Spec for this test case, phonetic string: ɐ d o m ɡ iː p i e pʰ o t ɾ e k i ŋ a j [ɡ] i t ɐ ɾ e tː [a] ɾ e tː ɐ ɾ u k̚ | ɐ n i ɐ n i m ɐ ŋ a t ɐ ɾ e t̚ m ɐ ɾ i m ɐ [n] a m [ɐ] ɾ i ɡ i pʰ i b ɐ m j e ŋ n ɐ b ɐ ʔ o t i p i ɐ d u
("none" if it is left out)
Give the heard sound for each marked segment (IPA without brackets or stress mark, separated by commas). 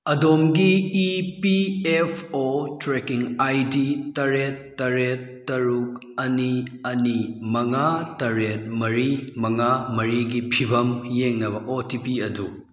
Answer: d, ɐ, ŋ, ɐ